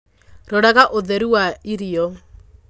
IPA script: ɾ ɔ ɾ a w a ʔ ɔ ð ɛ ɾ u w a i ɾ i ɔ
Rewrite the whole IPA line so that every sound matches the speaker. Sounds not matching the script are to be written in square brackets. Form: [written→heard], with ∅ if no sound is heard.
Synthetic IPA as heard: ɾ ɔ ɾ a [w→ɣ] a ʔ [ɔ→o] ð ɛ ɾ u w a i ɾ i ɔ

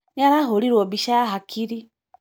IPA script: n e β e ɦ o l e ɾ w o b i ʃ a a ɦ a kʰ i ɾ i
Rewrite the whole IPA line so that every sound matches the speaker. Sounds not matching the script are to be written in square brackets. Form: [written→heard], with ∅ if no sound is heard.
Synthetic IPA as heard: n [e→a] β [e→a] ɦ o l [e→i] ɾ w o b i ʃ a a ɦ a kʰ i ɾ i

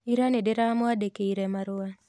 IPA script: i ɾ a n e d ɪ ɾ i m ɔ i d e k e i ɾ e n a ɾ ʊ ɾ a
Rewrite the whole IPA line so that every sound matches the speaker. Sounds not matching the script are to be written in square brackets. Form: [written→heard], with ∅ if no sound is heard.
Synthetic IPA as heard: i ɾ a n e d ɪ ɾ [i→a] m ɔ [i→a] d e k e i ɾ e [n→m] a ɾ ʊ [ɾ→∅] a

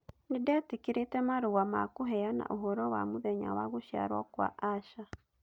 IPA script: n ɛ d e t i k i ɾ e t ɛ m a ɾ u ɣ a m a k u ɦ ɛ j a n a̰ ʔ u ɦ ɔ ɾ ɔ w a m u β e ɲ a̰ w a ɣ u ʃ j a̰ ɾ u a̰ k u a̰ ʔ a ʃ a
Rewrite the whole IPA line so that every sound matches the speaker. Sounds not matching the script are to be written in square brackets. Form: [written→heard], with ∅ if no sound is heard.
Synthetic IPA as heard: n [ɛ→i] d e t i k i ɾ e t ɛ m a ɾ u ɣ a m a k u ɦ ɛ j a n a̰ ʔ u ɦ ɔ ɾ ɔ w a m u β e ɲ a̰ w a ɣ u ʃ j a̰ ɾ [u→w] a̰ k [u→w] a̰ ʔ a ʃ a

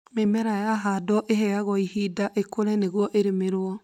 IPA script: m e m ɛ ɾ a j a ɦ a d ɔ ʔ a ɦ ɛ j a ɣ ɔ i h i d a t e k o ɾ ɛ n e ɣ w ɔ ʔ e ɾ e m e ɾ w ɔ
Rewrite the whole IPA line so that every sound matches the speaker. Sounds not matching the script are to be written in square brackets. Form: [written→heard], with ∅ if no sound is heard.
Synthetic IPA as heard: m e m ɛ ɾ a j a ɦ a d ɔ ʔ [a→e] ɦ ɛ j a ɣ ɔ i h i d a [t→ʔ] e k o ɾ ɛ n e ɣ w ɔ ʔ e ɾ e m e ɾ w ɔ

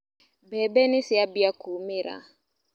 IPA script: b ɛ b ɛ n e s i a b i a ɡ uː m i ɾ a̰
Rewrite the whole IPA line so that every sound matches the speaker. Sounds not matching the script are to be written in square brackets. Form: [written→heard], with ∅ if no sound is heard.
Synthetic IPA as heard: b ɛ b ɛ n [e→i] s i a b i a [ɡ→k] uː m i ɾ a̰

